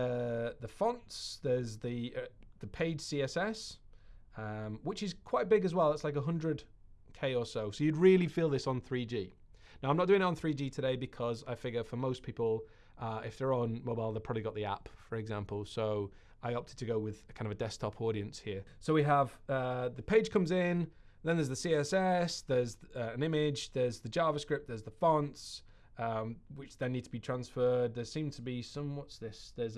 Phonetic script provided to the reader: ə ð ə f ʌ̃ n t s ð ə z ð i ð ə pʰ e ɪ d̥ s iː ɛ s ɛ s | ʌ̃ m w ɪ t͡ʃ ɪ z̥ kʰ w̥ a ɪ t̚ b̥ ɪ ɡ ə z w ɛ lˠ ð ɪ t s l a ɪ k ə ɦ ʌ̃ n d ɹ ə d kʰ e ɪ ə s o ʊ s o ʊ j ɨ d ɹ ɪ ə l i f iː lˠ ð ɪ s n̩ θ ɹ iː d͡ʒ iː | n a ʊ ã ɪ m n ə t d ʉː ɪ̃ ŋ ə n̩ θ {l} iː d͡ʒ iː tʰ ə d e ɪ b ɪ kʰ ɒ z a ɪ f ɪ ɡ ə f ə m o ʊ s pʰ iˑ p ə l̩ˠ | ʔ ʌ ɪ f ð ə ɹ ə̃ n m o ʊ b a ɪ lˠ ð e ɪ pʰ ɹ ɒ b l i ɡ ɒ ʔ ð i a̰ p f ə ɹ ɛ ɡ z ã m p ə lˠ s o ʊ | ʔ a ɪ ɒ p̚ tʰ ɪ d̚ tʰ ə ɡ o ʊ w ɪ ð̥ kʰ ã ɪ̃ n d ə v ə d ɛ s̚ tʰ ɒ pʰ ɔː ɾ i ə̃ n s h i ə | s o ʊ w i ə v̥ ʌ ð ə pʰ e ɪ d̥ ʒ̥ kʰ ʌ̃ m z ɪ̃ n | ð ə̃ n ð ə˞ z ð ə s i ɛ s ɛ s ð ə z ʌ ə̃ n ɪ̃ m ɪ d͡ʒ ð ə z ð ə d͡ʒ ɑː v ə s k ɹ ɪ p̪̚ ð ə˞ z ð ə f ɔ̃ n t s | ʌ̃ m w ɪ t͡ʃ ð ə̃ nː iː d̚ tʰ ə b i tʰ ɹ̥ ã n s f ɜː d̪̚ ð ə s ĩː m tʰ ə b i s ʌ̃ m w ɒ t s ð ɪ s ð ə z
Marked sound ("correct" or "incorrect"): incorrect